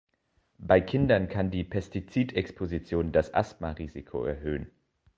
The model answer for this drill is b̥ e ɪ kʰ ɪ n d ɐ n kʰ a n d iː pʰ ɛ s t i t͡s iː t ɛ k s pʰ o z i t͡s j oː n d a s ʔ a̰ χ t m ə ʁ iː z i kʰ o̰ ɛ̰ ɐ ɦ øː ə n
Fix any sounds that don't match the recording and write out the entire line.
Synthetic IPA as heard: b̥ a ɪ kʰ ɪ n d ɐ n kʰ a n d iː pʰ ɛ s t i t͡s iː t ɛ k s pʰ o z i t͡s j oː n d a s ʔ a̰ s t m a ʁ iː z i kʰ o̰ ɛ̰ ɐ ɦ øː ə n